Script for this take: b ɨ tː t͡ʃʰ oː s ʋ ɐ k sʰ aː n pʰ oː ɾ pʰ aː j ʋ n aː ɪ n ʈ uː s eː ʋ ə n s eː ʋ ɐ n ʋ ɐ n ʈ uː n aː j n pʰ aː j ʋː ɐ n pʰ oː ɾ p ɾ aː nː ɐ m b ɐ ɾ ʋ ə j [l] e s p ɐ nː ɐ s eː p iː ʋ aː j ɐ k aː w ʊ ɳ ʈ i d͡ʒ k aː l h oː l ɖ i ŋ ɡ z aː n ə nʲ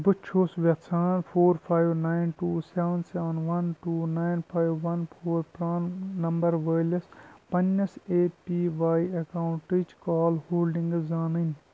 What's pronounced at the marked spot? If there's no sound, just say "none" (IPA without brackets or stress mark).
l